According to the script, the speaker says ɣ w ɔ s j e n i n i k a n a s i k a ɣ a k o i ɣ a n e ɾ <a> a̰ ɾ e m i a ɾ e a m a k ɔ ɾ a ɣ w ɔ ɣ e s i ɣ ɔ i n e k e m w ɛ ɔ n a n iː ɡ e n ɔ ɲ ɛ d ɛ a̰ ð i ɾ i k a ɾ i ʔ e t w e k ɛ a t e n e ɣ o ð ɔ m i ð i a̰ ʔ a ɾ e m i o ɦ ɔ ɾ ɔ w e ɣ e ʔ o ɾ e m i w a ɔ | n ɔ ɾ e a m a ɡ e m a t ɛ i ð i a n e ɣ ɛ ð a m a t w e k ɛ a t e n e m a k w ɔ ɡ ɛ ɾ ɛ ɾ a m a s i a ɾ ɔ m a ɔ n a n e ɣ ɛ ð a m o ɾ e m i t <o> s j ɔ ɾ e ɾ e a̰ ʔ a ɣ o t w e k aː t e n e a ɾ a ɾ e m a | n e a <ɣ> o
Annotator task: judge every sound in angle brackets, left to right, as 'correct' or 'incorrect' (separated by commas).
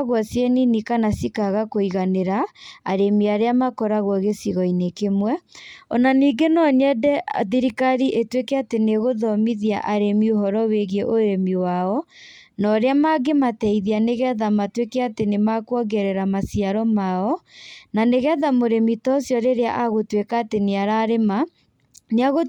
correct, incorrect, correct